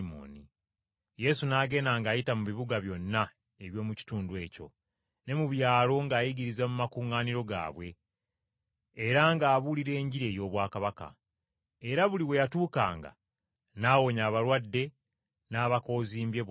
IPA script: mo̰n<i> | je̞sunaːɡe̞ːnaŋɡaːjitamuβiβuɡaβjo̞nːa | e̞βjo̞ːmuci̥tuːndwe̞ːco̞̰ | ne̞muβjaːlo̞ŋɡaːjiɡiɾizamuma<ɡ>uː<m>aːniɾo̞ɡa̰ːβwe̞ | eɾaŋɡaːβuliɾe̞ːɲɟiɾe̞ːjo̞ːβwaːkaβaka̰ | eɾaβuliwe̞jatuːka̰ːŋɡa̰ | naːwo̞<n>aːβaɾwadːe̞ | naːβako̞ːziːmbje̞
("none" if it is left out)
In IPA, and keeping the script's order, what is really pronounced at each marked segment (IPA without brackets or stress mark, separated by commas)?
i, k, ŋ, ɲ